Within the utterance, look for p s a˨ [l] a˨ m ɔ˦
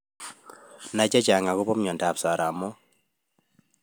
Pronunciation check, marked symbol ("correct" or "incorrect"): incorrect